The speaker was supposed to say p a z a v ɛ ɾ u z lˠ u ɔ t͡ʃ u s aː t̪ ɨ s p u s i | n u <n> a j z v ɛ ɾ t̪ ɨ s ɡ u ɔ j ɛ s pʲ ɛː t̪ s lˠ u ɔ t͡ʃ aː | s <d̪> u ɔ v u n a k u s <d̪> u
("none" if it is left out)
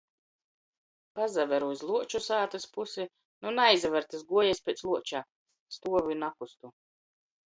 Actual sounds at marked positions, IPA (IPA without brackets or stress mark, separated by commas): n, t̪, t̪